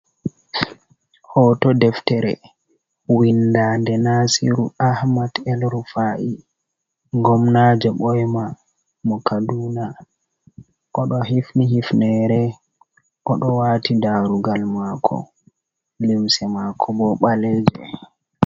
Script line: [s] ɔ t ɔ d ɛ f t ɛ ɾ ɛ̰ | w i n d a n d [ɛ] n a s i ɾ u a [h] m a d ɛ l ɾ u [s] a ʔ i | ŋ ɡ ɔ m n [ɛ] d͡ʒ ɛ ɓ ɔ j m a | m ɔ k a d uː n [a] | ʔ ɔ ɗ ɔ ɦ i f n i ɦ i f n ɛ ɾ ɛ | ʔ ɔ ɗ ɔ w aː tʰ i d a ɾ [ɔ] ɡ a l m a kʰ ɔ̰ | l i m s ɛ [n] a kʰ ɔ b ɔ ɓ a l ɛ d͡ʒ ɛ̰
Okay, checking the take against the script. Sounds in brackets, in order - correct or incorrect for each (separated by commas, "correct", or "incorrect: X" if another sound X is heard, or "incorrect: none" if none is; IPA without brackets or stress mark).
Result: incorrect: h, correct, correct, incorrect: f, incorrect: a, correct, incorrect: u, incorrect: m